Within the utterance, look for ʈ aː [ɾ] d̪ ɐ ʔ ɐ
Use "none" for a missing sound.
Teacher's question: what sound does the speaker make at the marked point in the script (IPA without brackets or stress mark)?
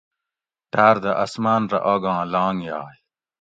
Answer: ɾ